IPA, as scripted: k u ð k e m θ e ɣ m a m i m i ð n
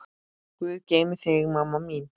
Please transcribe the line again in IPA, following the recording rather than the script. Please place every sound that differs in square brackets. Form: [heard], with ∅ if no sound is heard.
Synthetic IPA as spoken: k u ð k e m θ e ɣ m a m [a] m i [∅] n